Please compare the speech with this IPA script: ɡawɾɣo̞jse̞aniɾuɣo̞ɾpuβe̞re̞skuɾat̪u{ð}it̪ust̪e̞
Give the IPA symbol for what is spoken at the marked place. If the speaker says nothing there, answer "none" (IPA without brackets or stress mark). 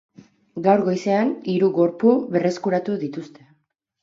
ð